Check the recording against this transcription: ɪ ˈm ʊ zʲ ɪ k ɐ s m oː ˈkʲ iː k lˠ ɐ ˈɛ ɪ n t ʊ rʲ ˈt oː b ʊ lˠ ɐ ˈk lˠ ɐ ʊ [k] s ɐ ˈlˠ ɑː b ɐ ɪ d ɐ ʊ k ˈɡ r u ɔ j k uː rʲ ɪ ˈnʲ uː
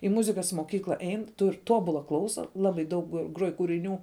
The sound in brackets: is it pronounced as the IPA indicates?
no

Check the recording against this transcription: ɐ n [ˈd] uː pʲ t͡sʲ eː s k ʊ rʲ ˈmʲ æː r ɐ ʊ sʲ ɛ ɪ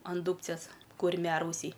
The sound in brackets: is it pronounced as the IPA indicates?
yes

